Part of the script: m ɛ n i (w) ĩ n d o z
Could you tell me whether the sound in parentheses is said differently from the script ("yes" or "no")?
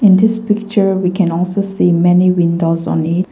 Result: no